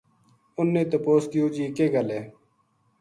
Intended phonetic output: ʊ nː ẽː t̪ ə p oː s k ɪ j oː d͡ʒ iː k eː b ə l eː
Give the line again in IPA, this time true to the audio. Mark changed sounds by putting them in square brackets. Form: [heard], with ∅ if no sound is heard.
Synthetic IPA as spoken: ʊ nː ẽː t̪ ə p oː s k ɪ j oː d͡ʒ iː k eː [ɡ] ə l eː